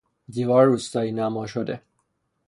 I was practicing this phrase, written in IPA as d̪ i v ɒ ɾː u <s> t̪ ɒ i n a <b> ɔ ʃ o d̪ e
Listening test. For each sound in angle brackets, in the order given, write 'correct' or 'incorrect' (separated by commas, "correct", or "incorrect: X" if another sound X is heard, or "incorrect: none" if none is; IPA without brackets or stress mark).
correct, incorrect: m